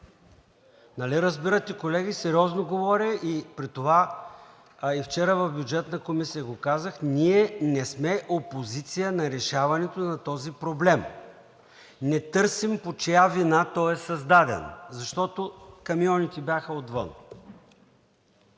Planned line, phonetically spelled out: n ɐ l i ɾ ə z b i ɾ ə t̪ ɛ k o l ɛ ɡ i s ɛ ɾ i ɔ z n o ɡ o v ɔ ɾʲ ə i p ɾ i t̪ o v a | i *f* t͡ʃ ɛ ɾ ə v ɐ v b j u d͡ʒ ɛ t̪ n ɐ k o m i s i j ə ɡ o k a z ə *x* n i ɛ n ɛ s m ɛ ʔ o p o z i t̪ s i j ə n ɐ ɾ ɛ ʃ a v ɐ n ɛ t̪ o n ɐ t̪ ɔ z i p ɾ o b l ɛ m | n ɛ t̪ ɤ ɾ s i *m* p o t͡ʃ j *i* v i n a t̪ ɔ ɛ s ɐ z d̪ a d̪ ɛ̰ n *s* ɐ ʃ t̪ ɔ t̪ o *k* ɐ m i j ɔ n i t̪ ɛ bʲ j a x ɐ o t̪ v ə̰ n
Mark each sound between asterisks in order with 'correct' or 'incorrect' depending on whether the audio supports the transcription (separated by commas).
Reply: correct, correct, correct, incorrect, incorrect, correct